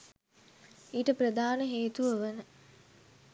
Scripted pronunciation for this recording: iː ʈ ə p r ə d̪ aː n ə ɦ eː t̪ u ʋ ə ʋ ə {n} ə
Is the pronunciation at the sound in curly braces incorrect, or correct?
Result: correct